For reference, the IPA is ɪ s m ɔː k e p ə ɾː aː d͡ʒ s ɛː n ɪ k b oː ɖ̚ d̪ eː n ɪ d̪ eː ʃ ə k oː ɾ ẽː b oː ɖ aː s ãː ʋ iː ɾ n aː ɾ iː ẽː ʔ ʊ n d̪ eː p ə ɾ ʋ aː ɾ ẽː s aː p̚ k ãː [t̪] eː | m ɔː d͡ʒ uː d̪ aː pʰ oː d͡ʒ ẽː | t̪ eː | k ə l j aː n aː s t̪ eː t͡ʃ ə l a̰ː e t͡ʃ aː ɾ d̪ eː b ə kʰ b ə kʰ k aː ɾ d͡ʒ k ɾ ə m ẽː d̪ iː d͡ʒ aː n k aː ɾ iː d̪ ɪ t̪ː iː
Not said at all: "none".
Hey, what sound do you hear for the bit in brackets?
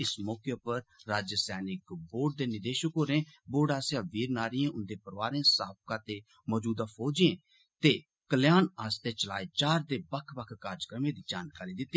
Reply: t̪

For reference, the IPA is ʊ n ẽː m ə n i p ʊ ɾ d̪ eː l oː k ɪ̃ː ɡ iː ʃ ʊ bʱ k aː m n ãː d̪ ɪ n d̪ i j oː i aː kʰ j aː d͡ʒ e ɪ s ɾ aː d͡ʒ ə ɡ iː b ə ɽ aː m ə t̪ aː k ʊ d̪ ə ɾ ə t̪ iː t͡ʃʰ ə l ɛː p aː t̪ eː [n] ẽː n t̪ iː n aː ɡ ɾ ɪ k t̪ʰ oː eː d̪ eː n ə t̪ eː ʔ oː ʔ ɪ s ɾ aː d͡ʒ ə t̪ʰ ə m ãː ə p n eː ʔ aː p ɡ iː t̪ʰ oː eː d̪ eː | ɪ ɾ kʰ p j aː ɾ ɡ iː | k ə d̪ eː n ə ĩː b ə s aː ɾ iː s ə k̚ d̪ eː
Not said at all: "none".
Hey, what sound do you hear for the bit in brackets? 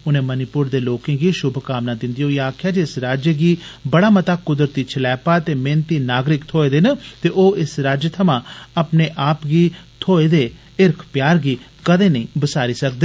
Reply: m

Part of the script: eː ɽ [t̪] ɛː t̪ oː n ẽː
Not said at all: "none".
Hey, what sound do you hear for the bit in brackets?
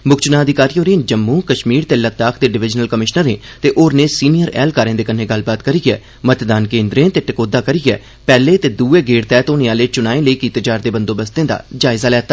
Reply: t̪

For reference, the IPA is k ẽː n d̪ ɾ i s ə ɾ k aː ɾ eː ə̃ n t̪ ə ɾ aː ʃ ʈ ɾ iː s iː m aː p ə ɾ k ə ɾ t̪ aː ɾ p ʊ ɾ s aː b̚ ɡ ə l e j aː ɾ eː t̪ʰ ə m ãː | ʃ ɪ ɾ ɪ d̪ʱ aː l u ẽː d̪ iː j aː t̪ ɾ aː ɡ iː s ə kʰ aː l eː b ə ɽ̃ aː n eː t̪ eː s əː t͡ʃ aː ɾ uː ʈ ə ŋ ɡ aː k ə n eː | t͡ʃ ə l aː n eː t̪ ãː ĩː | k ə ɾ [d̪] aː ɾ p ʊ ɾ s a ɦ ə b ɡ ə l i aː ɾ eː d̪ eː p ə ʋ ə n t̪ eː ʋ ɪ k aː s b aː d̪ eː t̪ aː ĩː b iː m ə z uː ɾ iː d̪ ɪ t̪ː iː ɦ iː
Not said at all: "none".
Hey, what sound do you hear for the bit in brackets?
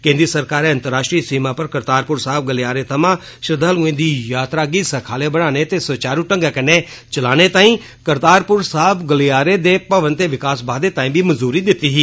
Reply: t̪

